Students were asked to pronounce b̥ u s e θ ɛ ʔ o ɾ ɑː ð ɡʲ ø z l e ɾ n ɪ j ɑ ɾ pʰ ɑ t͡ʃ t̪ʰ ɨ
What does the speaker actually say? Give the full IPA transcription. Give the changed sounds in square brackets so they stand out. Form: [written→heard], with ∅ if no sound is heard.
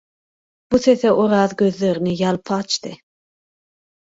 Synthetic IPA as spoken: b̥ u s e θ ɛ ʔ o ɾ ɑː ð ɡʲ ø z l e ɾ n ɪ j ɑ [ɾ→l] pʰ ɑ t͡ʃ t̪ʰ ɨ